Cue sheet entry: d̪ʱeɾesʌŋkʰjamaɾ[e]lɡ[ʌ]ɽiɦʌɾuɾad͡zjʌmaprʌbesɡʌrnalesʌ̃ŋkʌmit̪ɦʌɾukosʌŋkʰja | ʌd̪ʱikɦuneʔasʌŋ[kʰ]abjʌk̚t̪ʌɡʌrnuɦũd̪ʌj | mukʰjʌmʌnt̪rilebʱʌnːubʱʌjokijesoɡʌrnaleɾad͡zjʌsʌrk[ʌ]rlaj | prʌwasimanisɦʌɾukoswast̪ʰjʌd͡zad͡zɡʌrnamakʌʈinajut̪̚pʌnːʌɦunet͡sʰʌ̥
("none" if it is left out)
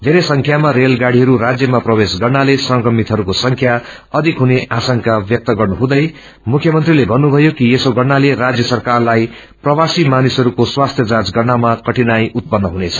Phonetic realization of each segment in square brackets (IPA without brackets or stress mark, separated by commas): e, a, k, a